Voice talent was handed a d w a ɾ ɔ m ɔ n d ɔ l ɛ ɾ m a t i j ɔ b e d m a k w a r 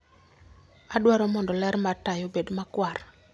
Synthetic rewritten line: a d w a ɾ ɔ m ɔ n d ɔ l ɛ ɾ m a t a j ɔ b e d m a k w a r